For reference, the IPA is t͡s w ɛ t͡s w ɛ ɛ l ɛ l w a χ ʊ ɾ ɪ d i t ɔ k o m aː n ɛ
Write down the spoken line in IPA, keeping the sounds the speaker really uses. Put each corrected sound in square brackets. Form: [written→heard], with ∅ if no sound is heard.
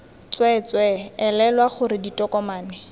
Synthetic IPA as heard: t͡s w ɛ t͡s w ɛ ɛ l ɛ l w a χ ʊ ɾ ɪ d i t ɔ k [o→ɔ] m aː n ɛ